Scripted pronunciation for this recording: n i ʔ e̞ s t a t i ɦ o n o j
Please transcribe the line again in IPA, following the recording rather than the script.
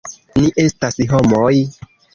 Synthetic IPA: n i ʔ e̞ s t a s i ɦ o m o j